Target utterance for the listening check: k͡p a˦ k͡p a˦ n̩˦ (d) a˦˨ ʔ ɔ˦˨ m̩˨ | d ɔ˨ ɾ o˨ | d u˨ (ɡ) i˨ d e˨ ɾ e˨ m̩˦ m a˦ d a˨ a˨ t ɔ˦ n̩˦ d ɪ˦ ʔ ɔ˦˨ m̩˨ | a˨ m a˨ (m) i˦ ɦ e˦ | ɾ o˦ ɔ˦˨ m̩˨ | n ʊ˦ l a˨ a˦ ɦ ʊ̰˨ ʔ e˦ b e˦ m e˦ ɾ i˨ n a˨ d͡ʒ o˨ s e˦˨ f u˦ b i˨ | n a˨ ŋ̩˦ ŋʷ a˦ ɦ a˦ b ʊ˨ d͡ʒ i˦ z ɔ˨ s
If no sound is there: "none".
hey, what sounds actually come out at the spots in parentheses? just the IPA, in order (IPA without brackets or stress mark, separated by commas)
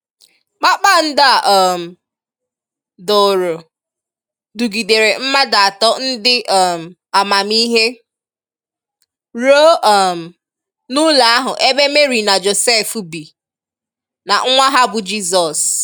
d, ɡ, m